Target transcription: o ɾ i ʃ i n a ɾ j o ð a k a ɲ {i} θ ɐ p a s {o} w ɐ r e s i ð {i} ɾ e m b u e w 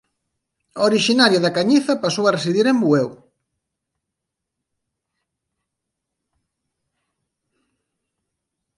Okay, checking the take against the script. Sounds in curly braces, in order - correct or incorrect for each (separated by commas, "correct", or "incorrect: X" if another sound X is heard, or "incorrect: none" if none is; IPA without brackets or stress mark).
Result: correct, correct, correct